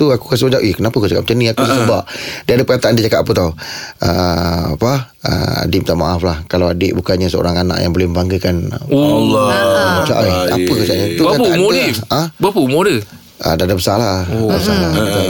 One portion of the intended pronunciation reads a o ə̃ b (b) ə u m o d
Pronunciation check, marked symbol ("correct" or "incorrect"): incorrect